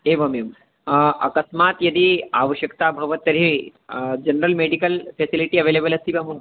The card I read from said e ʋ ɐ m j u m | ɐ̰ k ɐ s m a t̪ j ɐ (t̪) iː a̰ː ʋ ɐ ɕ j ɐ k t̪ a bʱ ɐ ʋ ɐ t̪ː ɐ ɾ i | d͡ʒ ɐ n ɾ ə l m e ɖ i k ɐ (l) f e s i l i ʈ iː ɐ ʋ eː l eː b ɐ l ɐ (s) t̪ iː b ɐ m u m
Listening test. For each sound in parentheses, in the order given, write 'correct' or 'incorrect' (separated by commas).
incorrect, correct, correct